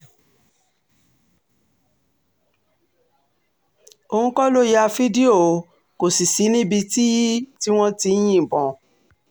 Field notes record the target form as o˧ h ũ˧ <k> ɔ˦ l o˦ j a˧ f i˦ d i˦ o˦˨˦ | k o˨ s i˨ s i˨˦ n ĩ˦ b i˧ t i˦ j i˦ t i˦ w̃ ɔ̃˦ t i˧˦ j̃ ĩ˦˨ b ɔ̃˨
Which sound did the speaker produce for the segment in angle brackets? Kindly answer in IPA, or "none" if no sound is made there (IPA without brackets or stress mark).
k